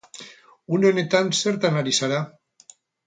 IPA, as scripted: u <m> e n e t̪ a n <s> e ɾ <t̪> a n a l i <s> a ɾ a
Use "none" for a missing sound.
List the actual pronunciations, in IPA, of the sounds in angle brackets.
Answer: n, s, t̪, s

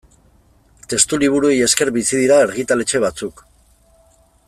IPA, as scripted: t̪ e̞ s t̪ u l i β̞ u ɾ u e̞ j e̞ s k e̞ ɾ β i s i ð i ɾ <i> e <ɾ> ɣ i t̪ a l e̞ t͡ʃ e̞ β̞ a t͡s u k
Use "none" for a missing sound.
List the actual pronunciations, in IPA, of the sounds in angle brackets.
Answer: a, ɾ

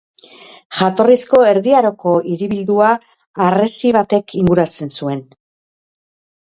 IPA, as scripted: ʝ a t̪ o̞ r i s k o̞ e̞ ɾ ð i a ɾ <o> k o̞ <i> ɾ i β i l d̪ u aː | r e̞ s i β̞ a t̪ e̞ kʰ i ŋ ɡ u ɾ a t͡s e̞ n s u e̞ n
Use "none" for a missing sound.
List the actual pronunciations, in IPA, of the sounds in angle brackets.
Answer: o, i

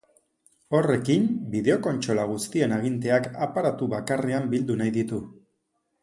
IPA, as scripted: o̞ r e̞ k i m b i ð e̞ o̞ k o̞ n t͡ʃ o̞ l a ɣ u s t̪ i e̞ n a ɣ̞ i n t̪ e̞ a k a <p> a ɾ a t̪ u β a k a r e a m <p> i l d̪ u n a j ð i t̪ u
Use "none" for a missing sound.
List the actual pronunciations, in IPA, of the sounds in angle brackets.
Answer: p, b

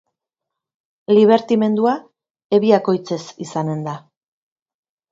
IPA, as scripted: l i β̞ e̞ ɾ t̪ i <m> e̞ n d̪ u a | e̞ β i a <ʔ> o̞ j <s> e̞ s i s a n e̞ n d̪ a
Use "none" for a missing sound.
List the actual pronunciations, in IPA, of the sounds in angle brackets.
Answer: m, k, t͡s

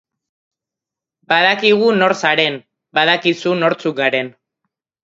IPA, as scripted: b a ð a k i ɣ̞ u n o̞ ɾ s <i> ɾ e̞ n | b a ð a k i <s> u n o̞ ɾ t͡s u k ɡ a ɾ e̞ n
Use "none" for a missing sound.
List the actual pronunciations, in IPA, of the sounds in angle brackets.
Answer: a, s

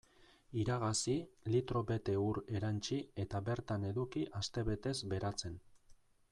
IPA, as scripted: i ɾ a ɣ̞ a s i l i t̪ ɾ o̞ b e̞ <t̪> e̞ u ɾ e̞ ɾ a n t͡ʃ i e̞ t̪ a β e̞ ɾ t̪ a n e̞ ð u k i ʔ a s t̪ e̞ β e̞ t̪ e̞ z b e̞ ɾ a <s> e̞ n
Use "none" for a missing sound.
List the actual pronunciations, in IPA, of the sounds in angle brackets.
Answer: t̪, t͡s

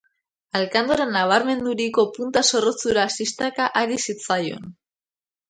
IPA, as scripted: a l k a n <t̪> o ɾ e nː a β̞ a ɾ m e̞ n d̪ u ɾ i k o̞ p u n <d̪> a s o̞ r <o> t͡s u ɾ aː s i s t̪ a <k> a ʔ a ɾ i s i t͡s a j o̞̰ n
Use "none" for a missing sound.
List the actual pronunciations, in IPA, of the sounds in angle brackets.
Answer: d̪, t̪, o, k

